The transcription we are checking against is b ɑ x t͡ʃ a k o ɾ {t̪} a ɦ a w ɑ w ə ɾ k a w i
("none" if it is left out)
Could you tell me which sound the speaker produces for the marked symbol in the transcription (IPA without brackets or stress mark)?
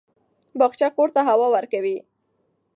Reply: t̪